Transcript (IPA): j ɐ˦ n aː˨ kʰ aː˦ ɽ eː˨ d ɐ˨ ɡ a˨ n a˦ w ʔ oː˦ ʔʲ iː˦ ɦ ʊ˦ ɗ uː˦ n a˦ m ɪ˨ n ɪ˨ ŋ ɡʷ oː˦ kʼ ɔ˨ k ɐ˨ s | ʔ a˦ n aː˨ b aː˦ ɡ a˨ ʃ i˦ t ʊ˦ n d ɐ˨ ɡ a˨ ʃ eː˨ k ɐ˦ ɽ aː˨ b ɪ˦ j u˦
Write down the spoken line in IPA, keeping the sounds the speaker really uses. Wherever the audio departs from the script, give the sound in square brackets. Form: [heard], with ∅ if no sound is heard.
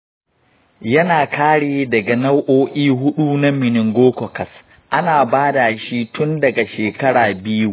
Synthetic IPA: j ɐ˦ n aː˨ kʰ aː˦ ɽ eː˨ d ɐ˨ ɡ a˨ n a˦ w ʔ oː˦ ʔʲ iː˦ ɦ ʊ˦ ɗ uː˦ n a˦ m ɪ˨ n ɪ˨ ŋ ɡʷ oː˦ [k] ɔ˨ k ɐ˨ s | ʔ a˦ n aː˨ b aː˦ [d] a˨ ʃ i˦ t ʊ˦ n d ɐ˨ ɡ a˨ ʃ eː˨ k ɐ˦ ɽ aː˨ b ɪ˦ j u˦